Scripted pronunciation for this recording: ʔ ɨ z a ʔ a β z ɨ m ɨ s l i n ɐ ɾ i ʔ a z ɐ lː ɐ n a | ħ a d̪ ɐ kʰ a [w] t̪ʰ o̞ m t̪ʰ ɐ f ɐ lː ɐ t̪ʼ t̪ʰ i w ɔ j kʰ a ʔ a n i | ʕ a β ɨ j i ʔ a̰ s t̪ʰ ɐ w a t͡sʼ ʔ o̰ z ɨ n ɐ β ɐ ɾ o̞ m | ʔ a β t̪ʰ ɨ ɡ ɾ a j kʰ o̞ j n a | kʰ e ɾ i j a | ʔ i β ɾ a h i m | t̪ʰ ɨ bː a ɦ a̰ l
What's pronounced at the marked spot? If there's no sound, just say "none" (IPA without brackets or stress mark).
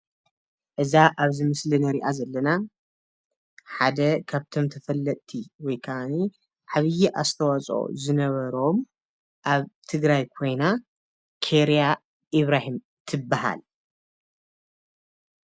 β